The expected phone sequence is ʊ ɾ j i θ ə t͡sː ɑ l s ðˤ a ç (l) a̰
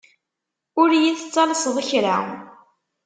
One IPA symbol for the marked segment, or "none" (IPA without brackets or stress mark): ɾ